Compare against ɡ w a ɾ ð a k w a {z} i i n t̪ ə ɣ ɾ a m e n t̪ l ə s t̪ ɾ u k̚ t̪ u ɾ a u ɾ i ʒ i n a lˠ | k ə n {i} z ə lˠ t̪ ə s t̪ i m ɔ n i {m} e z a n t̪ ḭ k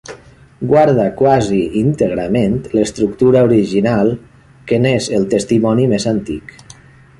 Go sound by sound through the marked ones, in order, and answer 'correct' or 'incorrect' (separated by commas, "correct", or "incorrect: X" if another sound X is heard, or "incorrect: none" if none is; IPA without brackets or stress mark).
correct, incorrect: e, correct